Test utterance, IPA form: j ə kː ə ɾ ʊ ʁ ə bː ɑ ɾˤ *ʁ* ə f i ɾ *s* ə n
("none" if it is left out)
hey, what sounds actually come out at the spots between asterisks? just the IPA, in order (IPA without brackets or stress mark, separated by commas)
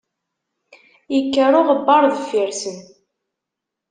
ð, s